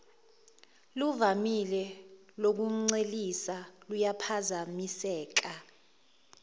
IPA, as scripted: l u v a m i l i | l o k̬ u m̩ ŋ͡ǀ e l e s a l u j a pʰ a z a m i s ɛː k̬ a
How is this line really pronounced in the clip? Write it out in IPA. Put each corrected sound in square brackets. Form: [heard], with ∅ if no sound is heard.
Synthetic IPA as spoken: l u v a m i l [ɛ] | l o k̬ u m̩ ŋ͡ǀ e l [i] s a l u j a pʰ a z a m i s ɛː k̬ a